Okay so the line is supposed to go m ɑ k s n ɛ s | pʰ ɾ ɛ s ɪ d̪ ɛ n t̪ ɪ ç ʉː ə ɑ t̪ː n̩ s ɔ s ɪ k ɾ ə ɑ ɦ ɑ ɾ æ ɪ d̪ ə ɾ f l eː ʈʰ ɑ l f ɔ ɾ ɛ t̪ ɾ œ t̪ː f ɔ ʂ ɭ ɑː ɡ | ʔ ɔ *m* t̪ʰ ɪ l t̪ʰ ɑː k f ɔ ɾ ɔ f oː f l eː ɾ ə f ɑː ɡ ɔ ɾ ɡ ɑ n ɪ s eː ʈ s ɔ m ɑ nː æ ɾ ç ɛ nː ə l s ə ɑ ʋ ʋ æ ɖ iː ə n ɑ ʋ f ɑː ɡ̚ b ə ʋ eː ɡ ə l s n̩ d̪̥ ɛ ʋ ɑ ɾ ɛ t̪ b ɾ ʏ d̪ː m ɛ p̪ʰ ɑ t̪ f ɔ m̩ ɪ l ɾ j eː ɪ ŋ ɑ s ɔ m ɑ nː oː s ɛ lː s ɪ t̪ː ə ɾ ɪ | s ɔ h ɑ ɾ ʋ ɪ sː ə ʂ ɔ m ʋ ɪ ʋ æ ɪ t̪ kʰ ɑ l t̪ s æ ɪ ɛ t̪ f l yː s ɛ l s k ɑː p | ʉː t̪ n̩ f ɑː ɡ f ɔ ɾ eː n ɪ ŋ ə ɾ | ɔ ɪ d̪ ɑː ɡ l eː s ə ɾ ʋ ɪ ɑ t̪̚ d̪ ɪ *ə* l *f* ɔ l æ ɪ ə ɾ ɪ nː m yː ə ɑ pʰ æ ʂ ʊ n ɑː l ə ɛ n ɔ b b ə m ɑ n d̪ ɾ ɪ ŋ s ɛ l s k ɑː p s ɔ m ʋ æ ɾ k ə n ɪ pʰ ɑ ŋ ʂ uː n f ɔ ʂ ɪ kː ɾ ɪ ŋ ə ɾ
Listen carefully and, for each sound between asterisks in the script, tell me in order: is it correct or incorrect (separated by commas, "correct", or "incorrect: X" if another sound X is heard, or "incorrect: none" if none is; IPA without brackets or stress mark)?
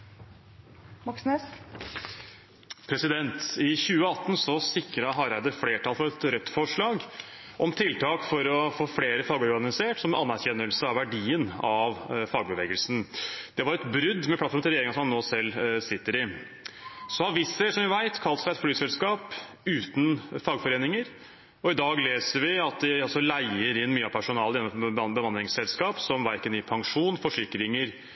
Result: correct, incorrect: ɑ, incorrect: s